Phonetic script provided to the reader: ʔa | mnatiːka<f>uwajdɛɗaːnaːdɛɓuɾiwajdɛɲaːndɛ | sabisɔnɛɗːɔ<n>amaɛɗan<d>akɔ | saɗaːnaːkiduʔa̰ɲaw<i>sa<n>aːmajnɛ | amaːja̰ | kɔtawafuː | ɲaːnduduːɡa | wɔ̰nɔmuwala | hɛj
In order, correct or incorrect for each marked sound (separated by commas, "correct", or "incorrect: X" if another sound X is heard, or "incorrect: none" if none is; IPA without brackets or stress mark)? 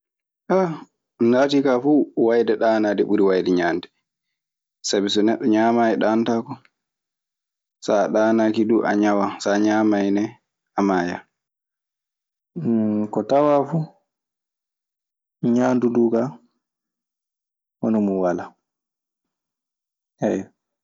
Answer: correct, incorrect: ɲ, incorrect: t, incorrect: a, incorrect: ɲ